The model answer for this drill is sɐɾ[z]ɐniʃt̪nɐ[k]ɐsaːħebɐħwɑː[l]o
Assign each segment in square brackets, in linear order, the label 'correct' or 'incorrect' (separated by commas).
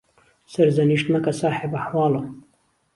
correct, correct, correct